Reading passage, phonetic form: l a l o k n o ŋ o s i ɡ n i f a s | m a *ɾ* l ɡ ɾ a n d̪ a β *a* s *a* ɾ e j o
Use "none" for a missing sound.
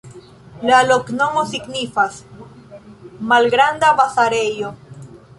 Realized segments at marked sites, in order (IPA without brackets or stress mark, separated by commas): none, a, a